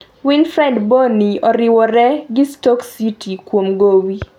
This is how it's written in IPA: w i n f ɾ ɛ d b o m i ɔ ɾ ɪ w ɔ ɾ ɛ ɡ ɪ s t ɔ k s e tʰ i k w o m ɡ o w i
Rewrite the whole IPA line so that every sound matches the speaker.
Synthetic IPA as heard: w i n f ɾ ɛ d b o n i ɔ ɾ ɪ w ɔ ɾ ɛ ɡ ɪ s t ɔ k s i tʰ i k w o m ɡ o w i